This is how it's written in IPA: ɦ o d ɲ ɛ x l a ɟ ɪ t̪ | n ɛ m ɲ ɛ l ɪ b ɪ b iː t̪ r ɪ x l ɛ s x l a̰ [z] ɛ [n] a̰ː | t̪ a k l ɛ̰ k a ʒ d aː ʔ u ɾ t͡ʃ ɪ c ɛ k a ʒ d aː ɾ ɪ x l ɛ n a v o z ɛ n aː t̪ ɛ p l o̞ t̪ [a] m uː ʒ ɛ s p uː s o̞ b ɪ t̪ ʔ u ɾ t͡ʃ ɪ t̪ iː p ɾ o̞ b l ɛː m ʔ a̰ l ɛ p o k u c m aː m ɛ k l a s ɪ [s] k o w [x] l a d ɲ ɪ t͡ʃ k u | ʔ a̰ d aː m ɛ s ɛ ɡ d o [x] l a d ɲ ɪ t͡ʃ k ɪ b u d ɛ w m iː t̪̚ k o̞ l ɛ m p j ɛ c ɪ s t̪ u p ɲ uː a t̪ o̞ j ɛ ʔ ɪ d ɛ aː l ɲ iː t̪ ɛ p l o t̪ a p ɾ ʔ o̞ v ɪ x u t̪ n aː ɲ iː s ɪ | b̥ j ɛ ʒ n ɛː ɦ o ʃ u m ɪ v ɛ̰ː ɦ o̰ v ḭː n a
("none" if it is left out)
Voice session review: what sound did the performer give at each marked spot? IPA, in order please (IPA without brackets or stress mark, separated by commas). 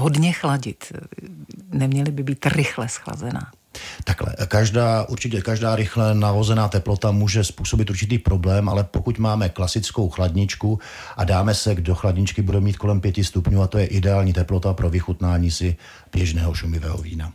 z, n, a, t͡s, x, x